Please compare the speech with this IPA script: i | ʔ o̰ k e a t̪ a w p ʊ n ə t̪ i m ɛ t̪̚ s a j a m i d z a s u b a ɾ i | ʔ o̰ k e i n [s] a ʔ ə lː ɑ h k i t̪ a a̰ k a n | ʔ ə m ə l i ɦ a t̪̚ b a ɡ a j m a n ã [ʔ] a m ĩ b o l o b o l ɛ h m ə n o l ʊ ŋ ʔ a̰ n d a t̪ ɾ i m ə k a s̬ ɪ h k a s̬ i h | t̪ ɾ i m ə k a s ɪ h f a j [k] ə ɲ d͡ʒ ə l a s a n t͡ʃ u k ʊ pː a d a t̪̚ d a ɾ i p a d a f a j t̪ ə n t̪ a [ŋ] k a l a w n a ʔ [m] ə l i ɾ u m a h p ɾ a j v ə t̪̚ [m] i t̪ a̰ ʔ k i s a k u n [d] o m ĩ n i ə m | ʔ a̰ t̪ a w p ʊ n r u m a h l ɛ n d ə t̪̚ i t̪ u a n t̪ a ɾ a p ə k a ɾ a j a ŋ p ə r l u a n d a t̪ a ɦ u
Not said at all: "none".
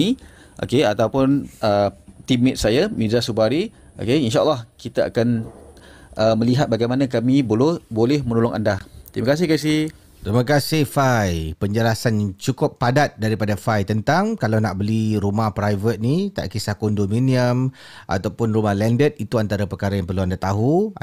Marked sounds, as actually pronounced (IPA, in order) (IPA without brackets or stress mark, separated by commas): ʃ, k, p, ŋ, b, n, d